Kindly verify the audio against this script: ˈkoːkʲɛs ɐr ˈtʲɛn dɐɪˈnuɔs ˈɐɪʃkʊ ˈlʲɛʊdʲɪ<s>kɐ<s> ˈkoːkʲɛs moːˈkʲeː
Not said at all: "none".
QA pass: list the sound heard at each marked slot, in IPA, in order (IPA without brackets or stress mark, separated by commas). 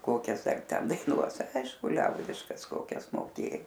ʃ, s